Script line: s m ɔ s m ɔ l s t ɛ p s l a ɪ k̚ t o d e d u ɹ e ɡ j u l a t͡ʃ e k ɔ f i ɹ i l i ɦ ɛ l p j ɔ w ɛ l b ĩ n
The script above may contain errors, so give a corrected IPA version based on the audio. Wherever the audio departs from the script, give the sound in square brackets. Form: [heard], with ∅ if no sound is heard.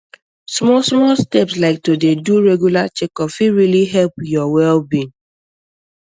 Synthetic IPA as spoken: s m ɔ s m ɔ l s t ɛ p s l a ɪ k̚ t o d e d u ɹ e ɡ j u l a t͡ʃ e k ɔ f i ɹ i l i ɦ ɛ l p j ɔ w ɛ l b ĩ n